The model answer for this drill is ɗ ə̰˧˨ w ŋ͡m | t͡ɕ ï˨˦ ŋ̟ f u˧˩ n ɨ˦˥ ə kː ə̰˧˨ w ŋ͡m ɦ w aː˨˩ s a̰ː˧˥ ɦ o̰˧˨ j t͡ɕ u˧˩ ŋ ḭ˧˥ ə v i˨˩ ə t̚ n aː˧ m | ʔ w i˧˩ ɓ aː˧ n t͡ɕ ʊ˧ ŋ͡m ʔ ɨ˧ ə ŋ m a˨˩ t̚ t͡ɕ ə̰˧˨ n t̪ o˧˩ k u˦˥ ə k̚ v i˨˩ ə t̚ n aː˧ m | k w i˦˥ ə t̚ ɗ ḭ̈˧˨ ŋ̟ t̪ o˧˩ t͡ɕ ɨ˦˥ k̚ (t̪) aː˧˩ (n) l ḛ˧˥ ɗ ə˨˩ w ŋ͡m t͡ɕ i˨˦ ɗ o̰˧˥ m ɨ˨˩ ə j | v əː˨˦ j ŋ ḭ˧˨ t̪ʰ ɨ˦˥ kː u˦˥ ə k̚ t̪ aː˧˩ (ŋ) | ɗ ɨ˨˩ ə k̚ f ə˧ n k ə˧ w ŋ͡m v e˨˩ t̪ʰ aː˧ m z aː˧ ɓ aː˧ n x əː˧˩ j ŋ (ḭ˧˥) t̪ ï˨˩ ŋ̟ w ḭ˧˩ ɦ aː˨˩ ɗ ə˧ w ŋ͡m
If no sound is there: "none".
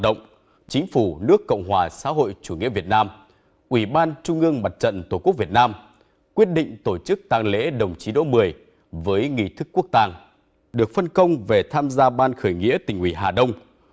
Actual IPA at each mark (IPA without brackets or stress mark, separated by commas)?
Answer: t̪, ŋ, ŋ, ḭ˧˥